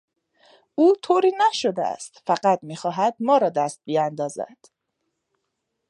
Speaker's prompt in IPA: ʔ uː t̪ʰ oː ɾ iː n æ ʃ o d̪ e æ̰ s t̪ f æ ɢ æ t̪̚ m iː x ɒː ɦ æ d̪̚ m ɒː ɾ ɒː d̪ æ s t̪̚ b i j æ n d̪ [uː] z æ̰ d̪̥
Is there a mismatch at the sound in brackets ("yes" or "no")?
yes